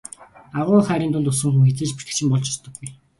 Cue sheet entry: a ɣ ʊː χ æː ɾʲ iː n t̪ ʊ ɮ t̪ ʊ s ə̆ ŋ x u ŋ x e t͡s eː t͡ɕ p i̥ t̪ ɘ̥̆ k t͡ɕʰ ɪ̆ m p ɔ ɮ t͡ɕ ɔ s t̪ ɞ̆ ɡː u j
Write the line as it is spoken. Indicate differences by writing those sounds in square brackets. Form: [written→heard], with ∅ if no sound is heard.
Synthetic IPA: a [ɣ→ʁ] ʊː χ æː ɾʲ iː n t̪ ʊ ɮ t̪ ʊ s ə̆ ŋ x u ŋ x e t͡s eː t͡ɕ p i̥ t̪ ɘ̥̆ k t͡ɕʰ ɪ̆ m p ɔ ɮ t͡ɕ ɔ s t̪ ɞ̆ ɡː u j